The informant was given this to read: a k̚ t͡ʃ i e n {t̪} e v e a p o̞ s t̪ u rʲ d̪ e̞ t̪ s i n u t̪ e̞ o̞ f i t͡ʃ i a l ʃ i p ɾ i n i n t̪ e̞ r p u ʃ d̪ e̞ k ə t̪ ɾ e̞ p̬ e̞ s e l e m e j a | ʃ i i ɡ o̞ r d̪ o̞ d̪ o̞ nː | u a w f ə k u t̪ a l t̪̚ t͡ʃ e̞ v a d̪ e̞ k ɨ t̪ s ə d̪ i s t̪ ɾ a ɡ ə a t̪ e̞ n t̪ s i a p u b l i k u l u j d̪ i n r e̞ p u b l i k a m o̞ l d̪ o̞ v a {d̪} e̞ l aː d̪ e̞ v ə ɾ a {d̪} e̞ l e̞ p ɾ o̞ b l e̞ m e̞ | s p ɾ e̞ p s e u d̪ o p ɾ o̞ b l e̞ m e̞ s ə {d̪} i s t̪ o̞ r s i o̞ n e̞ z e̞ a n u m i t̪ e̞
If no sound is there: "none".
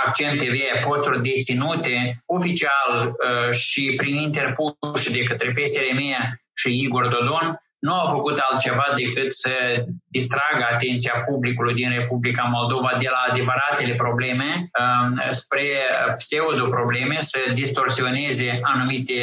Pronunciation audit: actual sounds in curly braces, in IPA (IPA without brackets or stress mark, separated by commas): t̪, d̪, t̪, d̪